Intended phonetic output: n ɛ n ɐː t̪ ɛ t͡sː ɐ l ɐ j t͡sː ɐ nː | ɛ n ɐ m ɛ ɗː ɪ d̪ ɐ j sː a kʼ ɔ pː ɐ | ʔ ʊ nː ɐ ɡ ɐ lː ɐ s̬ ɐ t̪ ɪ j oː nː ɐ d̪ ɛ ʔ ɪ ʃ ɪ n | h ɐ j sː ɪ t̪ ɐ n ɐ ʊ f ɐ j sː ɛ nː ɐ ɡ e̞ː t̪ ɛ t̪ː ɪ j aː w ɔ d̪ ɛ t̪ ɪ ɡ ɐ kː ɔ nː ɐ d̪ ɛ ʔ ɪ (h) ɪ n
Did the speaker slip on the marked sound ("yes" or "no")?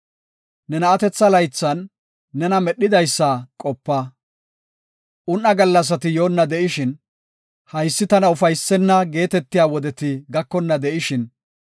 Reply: yes